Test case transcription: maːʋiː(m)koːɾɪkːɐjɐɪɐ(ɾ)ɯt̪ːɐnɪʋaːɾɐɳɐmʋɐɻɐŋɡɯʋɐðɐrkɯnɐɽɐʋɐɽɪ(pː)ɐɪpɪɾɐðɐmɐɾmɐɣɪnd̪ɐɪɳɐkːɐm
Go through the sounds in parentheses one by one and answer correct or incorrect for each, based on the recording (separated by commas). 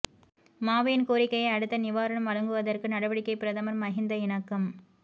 incorrect, incorrect, incorrect